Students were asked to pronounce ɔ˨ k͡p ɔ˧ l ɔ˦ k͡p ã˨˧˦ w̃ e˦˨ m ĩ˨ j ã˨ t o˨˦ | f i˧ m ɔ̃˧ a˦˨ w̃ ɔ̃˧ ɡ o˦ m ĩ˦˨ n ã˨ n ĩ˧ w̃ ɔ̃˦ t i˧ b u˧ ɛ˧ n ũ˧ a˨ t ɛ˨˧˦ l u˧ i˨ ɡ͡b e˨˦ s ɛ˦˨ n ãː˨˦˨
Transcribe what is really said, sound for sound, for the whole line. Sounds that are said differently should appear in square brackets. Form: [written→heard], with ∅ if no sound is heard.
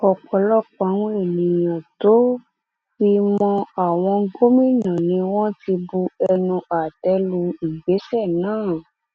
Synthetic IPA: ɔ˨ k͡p ɔ˧ l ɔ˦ k͡p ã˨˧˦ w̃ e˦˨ [m→n] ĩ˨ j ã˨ t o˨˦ | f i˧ m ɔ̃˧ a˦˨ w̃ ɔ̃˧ ɡ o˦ m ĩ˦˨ n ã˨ n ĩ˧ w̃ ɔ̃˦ t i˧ b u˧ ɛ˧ n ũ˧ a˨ t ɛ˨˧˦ l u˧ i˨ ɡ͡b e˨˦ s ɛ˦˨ n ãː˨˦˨